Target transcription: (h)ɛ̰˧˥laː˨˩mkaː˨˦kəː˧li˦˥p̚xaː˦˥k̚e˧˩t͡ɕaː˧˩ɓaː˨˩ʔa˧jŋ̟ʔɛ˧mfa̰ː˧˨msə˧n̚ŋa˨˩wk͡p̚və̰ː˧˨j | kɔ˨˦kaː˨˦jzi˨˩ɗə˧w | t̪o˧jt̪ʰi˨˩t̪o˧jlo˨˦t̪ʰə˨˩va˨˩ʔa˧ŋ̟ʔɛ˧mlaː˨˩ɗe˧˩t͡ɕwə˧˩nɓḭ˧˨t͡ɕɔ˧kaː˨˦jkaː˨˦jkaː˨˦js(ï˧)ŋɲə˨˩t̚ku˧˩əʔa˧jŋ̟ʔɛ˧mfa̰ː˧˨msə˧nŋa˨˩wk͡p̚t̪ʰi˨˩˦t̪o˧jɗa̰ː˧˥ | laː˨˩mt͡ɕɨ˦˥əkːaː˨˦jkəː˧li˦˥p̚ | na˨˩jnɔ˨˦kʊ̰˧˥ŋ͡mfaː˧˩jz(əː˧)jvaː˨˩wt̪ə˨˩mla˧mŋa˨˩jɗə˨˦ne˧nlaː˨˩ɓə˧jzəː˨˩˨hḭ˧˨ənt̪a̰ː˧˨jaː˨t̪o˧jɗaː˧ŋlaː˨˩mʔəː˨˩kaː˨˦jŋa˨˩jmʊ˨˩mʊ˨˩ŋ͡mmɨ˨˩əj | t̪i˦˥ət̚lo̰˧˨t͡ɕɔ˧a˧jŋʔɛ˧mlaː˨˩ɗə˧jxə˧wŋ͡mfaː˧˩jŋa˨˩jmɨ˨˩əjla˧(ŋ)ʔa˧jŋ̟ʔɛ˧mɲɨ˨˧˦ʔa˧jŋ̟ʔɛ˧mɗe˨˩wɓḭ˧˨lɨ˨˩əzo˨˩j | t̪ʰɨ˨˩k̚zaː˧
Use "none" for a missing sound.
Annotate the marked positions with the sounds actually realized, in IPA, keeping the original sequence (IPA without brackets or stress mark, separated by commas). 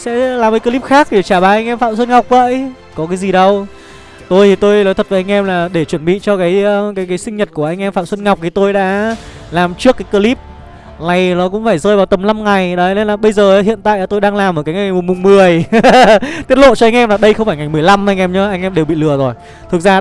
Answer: s, ï˧, əː˧, m